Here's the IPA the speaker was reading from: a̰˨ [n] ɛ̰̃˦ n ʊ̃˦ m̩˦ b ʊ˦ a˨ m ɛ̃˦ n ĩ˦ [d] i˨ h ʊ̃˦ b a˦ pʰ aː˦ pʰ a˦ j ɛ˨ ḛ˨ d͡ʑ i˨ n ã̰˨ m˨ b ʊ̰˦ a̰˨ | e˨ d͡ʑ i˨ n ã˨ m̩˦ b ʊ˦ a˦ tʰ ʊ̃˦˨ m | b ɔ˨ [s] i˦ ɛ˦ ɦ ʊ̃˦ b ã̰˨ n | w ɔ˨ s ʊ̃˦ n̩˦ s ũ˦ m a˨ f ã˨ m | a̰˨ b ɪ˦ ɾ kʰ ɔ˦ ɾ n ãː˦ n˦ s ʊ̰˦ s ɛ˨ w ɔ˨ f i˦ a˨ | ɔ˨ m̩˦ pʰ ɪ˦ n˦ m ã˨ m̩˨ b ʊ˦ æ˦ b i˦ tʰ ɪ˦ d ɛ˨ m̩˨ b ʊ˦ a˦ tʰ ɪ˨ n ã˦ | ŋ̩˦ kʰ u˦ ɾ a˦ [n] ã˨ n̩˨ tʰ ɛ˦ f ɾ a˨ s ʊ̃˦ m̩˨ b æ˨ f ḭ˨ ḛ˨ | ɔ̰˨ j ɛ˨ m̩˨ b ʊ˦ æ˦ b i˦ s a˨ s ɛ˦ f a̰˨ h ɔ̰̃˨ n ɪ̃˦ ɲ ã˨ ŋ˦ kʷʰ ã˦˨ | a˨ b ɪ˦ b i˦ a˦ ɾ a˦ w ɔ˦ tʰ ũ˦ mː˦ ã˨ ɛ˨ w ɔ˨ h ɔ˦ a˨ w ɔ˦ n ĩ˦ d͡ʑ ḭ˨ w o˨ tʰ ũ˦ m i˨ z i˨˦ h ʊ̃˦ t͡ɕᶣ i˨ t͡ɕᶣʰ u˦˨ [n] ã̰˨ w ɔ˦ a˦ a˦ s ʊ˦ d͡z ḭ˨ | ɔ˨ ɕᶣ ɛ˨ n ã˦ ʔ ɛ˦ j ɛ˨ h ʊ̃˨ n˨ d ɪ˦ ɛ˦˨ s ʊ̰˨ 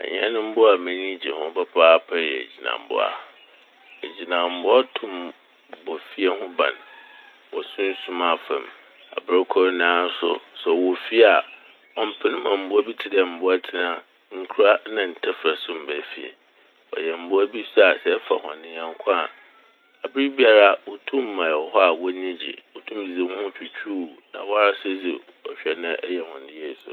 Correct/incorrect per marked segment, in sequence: incorrect, incorrect, incorrect, correct, correct

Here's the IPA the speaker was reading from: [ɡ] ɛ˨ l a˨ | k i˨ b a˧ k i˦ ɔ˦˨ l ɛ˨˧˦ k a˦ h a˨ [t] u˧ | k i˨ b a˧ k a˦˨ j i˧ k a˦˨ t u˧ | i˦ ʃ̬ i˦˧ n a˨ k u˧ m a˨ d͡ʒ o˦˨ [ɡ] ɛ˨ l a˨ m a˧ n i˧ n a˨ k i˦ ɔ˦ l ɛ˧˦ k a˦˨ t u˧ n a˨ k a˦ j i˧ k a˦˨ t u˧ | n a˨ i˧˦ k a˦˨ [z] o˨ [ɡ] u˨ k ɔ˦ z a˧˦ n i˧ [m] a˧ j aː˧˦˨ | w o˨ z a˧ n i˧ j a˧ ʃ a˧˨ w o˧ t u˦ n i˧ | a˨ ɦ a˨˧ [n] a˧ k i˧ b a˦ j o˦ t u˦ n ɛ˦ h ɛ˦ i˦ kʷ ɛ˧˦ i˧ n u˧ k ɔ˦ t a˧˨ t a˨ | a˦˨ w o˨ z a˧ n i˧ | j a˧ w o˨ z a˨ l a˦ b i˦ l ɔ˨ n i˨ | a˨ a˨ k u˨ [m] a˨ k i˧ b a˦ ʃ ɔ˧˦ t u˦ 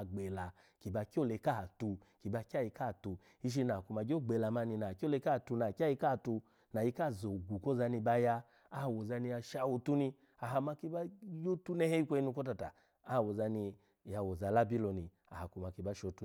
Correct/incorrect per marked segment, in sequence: incorrect, correct, incorrect, correct, correct, incorrect, incorrect, correct

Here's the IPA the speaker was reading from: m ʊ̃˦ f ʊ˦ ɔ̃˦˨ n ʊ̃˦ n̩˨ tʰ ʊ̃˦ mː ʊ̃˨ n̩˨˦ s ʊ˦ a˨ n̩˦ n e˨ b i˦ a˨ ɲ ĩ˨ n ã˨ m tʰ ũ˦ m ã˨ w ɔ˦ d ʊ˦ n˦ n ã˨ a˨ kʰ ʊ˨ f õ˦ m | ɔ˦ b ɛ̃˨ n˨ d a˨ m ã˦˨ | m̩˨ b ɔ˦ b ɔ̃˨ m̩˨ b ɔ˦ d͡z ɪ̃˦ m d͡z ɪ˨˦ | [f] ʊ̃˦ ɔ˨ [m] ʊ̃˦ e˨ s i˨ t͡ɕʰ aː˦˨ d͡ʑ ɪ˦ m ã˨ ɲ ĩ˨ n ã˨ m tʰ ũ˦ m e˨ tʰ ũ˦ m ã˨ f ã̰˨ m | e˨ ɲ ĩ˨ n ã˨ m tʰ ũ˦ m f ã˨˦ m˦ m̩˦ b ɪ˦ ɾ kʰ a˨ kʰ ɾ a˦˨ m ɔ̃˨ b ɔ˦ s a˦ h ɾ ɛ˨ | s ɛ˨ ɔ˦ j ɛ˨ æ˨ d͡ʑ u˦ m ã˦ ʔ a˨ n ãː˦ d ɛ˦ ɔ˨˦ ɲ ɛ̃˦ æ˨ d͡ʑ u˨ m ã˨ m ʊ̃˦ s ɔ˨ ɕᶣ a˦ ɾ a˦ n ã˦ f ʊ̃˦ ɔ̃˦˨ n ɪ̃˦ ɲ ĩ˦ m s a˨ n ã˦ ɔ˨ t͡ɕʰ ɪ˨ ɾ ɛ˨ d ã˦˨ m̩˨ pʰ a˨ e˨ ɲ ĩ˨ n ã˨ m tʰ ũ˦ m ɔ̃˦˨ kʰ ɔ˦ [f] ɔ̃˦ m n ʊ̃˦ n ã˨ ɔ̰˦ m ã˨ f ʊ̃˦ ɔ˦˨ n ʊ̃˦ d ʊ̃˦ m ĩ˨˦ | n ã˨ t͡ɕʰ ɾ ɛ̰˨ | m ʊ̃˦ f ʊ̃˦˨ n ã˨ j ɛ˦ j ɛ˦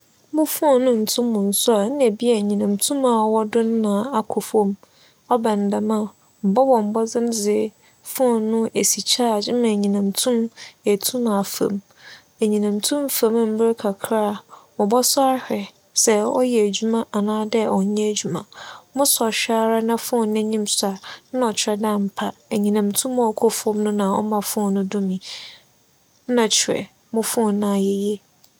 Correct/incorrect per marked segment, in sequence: correct, incorrect, correct

